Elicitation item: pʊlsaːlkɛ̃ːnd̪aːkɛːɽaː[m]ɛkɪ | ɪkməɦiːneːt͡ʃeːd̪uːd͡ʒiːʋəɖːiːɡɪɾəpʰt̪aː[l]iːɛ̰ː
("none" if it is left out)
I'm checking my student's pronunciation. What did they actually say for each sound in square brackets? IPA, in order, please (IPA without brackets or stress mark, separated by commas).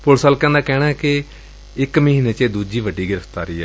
none, ɾ